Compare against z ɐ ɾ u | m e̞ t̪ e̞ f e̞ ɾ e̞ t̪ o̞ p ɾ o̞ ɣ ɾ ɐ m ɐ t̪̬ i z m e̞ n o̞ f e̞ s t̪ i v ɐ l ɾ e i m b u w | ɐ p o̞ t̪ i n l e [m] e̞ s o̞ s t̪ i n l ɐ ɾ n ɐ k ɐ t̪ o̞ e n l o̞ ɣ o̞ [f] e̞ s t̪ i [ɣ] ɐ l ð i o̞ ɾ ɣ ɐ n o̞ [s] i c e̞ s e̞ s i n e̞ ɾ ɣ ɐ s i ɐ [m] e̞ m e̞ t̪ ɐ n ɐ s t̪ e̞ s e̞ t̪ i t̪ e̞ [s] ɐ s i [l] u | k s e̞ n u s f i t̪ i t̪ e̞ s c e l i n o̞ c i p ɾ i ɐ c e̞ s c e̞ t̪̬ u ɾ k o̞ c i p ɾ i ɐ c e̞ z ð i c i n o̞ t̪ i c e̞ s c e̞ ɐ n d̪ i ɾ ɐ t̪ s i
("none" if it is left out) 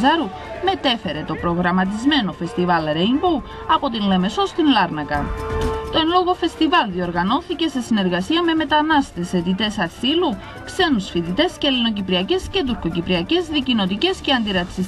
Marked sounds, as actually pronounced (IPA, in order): m, f, v, θ, m, s, l

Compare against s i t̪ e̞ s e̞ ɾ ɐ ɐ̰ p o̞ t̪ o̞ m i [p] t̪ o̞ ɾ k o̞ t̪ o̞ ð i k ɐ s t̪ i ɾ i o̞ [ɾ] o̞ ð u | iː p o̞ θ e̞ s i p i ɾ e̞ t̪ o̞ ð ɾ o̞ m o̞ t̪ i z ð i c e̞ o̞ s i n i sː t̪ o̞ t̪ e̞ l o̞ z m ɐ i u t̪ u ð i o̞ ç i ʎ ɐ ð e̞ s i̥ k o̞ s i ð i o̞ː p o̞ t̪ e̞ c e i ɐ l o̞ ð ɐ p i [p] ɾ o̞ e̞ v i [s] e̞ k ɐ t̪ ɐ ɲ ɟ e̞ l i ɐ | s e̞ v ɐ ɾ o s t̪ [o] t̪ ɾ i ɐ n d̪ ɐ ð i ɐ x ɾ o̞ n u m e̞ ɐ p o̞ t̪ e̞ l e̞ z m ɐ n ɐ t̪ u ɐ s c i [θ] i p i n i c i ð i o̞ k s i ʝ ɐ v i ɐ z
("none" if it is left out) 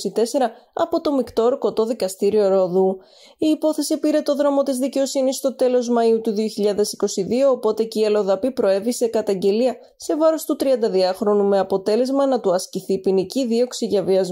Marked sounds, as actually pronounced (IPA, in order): k, ɾ, p, s, u, θ

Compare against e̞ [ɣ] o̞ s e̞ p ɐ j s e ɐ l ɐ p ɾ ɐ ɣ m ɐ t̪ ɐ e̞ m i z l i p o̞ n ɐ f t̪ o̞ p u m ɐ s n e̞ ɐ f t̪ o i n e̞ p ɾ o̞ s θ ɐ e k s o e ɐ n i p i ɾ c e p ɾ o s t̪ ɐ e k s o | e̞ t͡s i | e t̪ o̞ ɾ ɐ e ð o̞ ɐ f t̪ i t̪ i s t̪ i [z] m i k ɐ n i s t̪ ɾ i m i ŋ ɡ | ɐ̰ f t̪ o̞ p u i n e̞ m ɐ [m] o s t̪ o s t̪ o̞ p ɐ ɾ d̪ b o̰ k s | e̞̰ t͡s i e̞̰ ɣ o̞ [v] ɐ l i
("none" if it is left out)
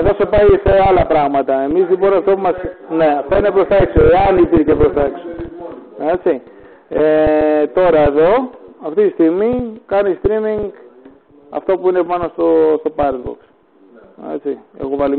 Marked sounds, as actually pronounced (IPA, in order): ð, ɣ, n, v

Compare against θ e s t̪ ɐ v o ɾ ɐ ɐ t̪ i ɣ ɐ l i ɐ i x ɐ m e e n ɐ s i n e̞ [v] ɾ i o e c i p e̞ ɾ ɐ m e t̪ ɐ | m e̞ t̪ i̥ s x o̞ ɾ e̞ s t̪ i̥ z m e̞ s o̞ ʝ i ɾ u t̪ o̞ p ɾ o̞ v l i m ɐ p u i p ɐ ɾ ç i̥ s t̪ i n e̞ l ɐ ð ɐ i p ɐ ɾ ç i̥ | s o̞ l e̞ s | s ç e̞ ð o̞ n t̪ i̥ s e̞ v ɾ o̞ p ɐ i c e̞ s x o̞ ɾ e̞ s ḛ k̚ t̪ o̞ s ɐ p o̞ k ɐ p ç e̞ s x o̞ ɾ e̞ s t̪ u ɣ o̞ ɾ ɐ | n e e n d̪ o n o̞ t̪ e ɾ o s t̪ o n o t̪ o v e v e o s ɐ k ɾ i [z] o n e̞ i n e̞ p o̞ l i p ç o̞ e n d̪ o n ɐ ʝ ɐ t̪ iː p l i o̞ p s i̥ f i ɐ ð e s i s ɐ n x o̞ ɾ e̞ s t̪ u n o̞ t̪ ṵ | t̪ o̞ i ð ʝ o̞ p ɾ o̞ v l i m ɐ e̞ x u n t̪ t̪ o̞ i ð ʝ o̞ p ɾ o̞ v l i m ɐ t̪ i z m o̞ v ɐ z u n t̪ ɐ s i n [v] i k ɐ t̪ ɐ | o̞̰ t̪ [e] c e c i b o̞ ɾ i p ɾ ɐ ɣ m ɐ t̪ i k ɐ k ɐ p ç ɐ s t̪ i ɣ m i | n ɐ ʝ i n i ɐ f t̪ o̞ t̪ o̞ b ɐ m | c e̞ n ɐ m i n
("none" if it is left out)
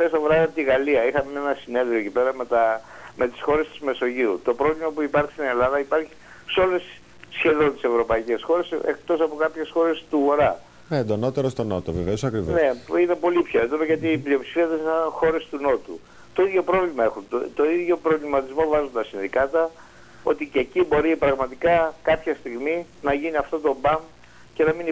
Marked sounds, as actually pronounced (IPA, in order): ð, v, ð, i

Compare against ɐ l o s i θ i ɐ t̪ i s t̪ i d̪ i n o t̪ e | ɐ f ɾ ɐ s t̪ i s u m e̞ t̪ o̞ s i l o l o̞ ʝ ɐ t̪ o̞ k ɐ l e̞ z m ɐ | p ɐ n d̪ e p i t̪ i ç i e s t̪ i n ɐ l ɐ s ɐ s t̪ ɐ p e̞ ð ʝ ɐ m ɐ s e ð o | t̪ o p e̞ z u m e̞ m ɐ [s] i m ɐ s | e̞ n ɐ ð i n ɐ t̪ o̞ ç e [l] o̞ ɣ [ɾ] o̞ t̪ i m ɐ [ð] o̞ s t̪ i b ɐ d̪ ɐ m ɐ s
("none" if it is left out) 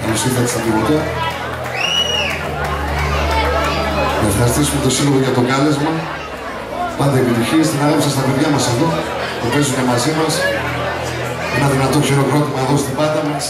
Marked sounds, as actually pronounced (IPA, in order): z, ɾ, ɾ, ð

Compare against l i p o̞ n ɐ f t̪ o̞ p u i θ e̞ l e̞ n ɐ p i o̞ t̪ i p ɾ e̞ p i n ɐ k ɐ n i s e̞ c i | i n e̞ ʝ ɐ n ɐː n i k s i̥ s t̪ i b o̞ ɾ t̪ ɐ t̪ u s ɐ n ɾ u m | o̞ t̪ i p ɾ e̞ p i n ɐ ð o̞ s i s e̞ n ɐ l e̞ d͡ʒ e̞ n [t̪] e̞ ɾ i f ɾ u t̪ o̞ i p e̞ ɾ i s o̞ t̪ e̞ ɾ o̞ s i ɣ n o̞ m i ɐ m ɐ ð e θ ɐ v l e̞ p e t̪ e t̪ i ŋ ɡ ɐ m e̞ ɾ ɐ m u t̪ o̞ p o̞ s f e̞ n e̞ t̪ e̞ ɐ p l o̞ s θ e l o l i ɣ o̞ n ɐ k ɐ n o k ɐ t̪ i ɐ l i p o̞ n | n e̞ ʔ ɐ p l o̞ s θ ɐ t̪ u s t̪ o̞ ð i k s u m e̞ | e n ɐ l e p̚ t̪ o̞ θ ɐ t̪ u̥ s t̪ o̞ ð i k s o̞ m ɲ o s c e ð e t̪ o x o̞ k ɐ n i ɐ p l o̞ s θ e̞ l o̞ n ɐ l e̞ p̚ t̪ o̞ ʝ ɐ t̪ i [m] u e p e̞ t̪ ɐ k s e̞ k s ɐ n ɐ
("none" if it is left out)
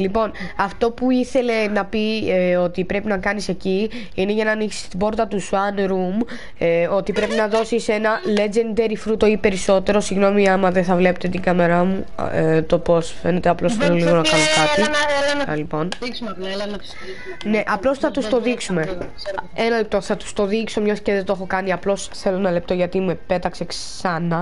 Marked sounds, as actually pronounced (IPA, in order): d̪, m

